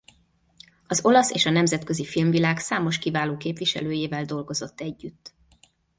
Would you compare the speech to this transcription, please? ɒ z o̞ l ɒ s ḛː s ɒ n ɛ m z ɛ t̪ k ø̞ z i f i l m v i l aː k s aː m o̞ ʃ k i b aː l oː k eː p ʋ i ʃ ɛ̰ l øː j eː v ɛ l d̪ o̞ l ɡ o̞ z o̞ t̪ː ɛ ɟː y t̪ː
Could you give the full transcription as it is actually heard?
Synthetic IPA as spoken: ɒ z o̞ l ɒ s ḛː ʃ ɒ n ɛ m z ɛ t̪ k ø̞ z i f i l m v i l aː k s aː m o̞ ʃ k i v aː l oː k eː p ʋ i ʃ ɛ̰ l øː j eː v ɛ l d̪ o̞ l ɡ o̞ z o̞ t̪ː ɛ ɟː y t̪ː